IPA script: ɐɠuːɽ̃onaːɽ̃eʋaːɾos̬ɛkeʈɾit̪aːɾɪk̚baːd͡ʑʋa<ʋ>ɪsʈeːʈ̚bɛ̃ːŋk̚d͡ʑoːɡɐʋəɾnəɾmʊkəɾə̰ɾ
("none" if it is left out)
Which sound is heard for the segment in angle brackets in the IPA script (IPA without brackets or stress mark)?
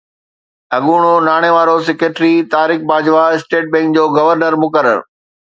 none